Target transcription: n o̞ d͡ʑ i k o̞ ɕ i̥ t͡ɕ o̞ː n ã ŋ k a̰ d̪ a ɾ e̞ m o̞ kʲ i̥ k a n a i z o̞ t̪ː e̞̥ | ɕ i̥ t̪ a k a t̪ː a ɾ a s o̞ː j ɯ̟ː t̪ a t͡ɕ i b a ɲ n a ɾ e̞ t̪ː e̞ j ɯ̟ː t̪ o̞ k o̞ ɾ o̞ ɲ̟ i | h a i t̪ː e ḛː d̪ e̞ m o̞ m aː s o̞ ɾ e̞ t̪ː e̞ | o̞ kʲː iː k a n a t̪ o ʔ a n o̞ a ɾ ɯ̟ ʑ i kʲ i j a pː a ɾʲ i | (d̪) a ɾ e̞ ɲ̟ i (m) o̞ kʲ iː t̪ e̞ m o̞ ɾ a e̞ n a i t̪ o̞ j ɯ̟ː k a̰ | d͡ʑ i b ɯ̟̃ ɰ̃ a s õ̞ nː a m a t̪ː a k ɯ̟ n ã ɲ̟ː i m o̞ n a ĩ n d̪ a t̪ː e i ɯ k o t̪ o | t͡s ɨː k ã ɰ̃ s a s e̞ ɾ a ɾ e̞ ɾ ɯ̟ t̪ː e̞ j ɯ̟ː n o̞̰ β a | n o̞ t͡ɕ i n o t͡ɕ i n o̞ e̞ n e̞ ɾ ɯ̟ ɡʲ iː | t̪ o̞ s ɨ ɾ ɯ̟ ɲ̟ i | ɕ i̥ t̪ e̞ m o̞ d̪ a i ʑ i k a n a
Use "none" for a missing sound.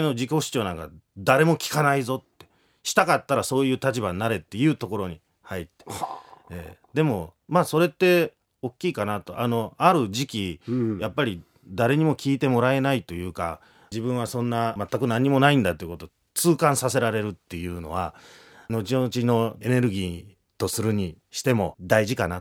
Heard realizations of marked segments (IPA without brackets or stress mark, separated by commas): d̪, m